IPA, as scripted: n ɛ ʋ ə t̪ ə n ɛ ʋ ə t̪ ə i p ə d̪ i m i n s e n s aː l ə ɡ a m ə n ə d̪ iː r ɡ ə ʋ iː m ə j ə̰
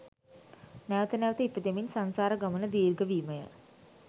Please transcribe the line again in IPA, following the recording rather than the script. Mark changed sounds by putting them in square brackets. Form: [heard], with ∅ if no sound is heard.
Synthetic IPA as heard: n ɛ ʋ ə t̪ ə n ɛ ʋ ə t̪ ə i p ə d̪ [e] m i n s [a] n s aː [ɾ] ə ɡ a m ə n ə d̪ iː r ɡ ə ʋ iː m ə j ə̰